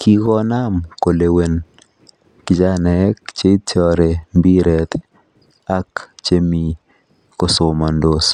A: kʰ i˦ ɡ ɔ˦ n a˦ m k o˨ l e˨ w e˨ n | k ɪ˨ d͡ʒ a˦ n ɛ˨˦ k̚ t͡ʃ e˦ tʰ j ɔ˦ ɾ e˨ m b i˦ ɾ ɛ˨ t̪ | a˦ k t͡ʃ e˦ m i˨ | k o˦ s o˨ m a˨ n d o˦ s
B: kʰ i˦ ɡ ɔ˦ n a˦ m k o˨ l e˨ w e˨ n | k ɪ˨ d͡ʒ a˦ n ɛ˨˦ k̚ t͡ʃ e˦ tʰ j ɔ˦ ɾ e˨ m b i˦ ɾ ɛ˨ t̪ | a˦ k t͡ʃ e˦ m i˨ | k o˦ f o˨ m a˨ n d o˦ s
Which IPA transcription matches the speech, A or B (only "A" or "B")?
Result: A